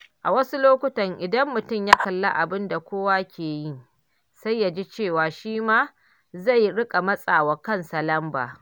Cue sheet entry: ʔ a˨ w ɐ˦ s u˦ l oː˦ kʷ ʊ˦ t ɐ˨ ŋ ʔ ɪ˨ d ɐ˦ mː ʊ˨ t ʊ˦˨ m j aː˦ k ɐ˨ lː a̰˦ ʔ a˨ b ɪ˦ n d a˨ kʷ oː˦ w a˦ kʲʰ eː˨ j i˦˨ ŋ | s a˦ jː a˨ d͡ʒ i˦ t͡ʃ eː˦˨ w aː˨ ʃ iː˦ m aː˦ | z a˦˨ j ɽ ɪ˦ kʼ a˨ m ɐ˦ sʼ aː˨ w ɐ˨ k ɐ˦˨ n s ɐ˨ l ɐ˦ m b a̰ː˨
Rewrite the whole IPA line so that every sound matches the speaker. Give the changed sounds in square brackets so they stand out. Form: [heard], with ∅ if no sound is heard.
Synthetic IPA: ʔ a˨ w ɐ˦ s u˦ l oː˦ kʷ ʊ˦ t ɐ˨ ŋ ʔ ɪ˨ d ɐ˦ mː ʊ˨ t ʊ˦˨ m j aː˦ k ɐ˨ lː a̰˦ ʔ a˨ b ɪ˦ n d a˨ kʷ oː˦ w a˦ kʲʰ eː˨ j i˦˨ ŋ | s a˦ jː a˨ d͡ʒ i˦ t͡ʃ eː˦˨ w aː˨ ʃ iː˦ m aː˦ | z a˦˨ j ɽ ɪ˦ kʼ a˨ m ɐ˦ sʼ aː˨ w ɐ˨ k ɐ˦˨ n s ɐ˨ l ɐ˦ m b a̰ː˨